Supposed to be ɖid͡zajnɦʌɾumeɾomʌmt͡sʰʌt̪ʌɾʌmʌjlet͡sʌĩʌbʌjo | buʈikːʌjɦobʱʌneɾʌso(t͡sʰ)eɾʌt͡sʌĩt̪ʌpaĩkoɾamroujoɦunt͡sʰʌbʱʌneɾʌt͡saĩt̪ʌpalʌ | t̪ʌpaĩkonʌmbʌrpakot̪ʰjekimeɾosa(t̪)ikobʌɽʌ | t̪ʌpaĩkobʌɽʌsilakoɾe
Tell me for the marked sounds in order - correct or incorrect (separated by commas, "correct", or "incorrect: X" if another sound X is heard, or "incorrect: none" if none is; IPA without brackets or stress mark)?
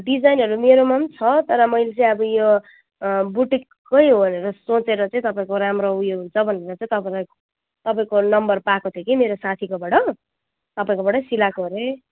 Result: incorrect: t͡s, incorrect: t̪ʰ